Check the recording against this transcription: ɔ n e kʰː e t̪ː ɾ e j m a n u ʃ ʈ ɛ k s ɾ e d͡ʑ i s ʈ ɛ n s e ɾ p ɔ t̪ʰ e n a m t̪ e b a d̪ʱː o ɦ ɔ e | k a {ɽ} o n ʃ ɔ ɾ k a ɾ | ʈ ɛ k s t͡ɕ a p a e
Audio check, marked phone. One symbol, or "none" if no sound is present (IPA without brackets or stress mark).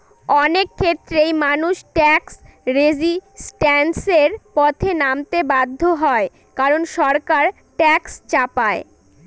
ɾ